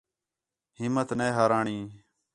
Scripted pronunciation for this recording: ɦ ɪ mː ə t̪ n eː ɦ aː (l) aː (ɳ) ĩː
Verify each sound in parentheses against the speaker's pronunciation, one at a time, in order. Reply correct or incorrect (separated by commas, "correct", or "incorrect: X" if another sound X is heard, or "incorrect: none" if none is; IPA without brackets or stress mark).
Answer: incorrect: ɾ, correct